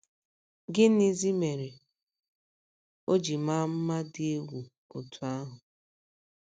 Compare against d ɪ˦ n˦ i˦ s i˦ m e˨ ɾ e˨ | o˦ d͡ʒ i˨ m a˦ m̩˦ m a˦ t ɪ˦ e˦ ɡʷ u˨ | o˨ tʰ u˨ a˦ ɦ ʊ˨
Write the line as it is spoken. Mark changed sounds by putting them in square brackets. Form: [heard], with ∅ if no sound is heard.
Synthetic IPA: [ɡ] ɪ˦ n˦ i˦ [z] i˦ m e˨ ɾ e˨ | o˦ d͡ʒ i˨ m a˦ m̩˦ m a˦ [d] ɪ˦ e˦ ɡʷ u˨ | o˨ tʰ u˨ a˦ ɦ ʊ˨

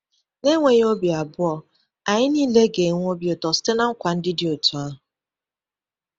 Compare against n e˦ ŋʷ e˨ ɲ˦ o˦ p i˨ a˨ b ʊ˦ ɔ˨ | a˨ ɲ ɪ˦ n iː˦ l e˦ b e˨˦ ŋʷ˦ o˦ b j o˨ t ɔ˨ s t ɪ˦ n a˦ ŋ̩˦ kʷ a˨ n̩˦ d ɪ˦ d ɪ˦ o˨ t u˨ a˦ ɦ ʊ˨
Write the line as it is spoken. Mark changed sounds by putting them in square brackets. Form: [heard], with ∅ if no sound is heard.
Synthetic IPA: n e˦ ŋʷ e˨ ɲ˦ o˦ [b] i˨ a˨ b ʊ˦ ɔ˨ | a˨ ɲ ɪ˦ n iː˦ l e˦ [ɡ] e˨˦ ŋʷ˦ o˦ b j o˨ t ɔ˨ s t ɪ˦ n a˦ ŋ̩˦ kʷ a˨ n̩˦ d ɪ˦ d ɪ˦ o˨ t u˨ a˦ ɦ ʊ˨

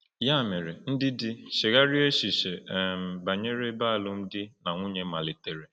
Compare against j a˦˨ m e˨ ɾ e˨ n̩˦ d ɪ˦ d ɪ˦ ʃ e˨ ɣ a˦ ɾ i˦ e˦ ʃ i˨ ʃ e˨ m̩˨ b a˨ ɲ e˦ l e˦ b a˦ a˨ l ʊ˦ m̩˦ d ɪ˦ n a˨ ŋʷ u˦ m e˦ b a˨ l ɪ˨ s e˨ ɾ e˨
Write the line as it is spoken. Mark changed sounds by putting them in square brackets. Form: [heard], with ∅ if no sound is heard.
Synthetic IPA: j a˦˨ m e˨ ɾ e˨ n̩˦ d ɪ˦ d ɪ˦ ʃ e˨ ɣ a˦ ɾ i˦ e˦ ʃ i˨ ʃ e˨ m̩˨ b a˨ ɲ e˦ [ɾ] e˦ b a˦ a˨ l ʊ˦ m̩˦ d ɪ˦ n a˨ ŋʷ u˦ [ɲ] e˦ [m] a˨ l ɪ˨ [t] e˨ ɾ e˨

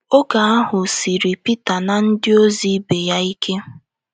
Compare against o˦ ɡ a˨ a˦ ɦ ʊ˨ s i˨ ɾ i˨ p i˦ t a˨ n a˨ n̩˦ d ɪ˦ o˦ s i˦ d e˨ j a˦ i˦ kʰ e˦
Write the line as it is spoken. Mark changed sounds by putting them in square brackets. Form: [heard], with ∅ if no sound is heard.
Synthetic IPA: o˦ ɡ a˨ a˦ ɦ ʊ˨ s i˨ ɾ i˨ p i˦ t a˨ n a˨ n̩˦ d ɪ˦ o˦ [z] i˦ [b] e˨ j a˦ i˦ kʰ e˦

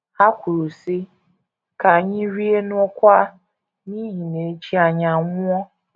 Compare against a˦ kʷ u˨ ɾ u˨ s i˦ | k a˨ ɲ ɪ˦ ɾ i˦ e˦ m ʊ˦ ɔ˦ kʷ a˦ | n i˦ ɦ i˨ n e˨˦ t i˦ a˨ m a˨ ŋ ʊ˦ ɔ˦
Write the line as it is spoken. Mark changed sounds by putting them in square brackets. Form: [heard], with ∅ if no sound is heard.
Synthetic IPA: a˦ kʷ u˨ ɾ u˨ s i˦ | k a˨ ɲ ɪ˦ ɾ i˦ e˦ [n] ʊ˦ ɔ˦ kʷ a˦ | n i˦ ɦ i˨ n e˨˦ [t͡ʃ] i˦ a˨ [ɲ] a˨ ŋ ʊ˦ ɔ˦

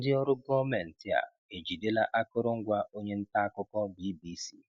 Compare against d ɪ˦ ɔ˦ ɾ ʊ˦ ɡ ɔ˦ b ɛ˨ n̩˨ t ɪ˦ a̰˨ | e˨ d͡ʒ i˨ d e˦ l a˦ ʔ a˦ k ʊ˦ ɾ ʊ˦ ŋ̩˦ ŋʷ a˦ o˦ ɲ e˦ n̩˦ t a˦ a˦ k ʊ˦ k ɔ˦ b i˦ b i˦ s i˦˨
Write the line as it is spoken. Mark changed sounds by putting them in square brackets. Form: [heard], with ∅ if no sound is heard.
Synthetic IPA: d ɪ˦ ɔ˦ ɾ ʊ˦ ɡ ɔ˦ [m] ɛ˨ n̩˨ t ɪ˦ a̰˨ | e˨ d͡ʒ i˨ d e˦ l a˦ ʔ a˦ k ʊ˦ ɾ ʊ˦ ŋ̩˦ [ɡʷ] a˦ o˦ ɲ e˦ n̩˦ t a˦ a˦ k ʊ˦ k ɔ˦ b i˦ b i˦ s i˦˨

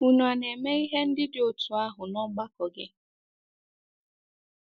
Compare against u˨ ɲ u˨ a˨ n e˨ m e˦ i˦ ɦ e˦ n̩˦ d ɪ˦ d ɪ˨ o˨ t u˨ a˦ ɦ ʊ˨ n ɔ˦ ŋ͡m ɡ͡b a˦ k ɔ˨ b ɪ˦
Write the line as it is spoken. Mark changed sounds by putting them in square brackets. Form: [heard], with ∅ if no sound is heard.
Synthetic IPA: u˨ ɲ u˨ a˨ n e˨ m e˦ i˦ ɦ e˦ n̩˦ d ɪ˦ d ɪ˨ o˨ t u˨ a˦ ɦ ʊ˨ n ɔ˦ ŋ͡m ɡ͡b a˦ k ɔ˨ [ɡ] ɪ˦

